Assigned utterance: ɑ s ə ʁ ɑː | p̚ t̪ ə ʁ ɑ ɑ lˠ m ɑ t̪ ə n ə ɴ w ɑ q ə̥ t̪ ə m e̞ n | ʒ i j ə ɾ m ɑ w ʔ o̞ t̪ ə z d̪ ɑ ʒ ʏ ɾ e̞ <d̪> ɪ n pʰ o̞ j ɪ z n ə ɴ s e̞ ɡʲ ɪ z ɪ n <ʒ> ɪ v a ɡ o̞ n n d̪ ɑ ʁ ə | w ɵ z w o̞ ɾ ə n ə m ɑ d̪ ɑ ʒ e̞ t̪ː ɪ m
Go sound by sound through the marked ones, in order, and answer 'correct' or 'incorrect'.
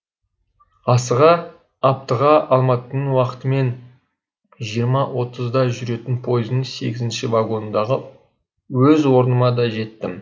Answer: incorrect: t̪, incorrect: ʃ

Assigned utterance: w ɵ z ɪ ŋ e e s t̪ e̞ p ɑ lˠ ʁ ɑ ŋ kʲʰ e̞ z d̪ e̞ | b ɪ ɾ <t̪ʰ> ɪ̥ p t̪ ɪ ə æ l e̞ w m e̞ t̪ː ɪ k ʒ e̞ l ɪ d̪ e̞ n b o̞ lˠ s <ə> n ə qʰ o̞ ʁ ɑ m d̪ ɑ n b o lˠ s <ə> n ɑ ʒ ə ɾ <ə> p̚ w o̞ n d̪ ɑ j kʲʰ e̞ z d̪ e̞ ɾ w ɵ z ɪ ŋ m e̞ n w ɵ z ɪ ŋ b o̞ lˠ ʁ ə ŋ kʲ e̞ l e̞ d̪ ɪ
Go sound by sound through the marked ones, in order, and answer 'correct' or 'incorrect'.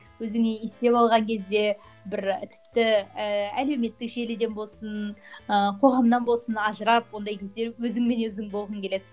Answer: correct, correct, correct, incorrect: ɑ

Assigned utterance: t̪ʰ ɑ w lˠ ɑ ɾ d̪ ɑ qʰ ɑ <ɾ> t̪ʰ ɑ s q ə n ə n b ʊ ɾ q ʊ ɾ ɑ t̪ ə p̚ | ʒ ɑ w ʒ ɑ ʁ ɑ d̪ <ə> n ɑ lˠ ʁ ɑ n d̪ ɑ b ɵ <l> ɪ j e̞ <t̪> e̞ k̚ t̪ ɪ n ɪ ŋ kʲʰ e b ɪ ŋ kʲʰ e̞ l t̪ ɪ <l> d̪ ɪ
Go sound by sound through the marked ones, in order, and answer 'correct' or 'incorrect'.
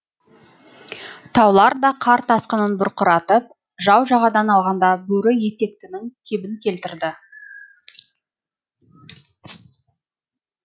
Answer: correct, incorrect: ɑ, incorrect: ɾ, correct, incorrect: ɾ

